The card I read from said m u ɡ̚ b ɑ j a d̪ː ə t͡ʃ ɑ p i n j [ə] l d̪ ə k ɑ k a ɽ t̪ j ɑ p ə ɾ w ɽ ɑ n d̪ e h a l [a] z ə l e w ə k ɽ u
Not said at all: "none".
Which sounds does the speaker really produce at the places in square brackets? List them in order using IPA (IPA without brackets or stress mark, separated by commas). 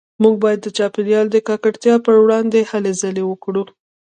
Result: ɑ, e